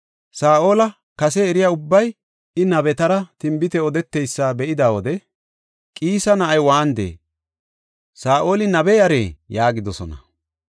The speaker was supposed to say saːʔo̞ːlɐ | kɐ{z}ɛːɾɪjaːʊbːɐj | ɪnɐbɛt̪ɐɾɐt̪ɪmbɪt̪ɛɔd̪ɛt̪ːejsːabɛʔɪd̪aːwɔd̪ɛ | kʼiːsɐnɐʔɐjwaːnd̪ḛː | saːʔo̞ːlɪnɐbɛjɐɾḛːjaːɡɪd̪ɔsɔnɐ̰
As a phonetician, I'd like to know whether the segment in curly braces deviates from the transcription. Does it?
yes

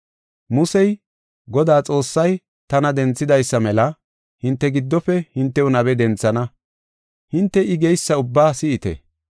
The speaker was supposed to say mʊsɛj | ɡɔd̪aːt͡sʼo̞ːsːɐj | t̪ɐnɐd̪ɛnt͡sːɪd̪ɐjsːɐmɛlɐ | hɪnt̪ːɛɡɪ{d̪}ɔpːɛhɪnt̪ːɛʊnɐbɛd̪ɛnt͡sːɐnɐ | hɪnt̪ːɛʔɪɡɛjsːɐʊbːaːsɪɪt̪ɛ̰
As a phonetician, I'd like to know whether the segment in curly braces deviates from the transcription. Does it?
yes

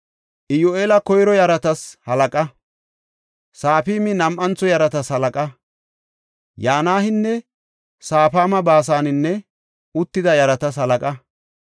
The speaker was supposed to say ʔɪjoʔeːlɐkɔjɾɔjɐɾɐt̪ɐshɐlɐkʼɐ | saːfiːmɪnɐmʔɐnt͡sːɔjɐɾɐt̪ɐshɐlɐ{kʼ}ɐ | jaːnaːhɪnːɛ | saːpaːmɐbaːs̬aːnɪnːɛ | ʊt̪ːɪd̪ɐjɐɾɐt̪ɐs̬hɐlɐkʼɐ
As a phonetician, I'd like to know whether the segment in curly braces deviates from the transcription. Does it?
no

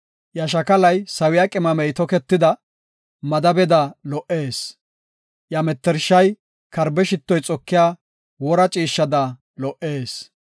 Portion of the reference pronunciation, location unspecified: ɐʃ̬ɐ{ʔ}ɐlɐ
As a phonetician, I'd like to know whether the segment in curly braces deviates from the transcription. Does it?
yes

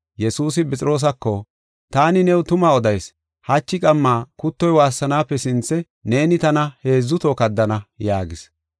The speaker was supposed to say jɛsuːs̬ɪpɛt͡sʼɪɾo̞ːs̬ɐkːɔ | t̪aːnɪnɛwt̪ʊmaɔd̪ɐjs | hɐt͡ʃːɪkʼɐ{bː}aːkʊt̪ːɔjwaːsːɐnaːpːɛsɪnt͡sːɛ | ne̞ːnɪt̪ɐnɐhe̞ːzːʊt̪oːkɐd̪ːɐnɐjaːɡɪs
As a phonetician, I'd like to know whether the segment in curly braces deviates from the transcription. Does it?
yes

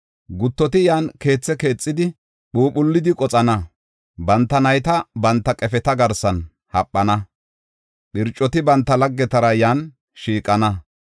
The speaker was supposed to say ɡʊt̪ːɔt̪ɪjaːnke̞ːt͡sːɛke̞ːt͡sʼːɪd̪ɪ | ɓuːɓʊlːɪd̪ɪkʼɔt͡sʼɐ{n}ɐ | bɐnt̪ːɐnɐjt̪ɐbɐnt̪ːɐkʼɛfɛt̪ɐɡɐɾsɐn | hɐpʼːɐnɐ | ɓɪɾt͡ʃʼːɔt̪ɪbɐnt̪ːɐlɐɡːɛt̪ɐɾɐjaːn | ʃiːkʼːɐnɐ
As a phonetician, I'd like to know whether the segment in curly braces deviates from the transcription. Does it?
no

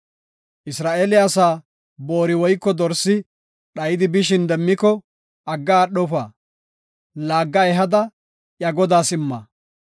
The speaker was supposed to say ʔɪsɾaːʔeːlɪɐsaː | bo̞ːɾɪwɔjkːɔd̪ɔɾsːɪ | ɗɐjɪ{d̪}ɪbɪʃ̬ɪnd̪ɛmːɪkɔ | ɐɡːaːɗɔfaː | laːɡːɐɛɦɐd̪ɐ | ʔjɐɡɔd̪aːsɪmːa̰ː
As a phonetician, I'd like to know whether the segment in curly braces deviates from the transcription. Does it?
no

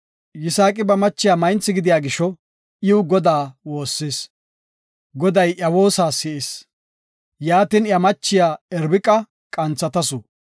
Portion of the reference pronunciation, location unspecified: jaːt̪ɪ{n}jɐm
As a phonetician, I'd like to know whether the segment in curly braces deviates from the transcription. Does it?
no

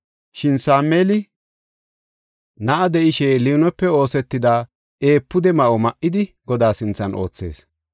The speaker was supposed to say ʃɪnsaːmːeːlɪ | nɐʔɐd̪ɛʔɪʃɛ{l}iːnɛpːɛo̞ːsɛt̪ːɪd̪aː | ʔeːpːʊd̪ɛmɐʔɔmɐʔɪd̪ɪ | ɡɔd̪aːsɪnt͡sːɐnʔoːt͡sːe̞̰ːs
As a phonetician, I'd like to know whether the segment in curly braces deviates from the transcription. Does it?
no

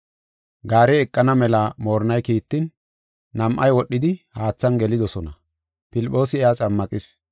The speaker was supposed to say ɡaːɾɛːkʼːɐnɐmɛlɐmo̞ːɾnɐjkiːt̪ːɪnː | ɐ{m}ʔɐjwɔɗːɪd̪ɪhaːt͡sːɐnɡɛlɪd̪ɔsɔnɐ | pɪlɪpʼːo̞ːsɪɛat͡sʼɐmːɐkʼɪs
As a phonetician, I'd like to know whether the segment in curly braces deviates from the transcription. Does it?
no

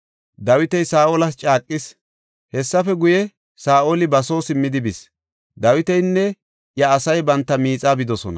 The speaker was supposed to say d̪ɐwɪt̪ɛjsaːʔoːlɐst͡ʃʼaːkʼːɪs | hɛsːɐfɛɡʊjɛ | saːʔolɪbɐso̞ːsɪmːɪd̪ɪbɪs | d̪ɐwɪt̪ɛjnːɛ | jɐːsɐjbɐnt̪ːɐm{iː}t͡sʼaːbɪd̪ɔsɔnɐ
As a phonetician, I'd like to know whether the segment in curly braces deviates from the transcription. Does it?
no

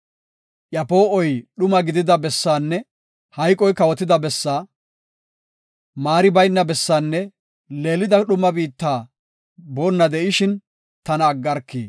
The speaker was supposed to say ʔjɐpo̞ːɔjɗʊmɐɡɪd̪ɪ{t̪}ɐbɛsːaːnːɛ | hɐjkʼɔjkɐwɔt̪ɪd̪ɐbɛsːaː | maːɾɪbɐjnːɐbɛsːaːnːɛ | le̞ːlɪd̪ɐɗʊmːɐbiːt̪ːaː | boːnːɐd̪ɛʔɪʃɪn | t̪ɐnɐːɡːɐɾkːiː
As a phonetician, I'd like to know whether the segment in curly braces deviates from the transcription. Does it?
yes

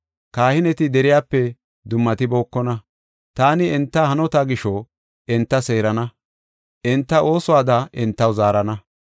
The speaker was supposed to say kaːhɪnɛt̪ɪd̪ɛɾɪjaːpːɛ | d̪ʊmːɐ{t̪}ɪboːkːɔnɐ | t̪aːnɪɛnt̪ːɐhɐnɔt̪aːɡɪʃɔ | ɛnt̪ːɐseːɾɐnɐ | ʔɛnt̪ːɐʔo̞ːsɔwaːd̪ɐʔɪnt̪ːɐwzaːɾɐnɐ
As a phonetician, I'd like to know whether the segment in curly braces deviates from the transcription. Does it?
no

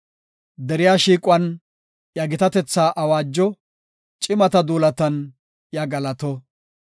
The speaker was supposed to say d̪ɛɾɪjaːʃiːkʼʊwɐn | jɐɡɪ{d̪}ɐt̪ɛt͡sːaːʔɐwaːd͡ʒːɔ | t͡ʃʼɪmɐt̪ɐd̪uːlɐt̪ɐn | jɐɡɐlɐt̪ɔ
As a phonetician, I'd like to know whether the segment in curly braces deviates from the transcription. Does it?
yes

